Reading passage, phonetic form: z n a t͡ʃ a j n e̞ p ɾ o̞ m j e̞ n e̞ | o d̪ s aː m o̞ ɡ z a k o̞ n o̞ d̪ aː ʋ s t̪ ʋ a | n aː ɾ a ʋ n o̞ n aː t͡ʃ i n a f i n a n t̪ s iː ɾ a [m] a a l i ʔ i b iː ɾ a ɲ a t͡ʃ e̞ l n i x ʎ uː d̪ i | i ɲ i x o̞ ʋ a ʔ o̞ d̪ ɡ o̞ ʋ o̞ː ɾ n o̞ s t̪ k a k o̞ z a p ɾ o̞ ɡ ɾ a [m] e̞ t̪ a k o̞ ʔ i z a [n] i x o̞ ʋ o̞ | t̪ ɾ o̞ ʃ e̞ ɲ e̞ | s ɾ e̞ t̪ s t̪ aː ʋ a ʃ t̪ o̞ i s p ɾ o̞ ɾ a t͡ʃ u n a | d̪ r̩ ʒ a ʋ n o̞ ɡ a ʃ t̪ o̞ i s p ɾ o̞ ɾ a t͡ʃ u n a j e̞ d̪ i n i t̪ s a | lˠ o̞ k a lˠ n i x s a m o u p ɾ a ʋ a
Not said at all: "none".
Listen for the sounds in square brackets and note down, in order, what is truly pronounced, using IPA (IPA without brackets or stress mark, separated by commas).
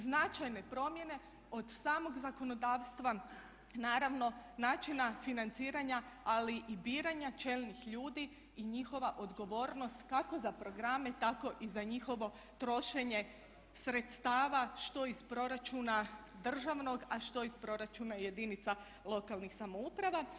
ɲ, m, ɲ